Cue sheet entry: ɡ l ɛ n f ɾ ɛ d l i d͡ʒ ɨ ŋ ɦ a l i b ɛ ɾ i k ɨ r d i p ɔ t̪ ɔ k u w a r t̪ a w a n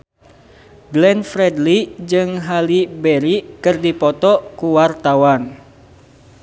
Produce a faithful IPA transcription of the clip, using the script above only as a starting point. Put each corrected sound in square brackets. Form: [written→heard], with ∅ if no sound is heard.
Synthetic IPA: ɡ l ɛ n f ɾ ɛ d l i d͡ʒ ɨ ŋ ɦ a l i b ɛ ɾ i k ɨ r d i p ɔ t̪ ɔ k u w a r t̪ a w a n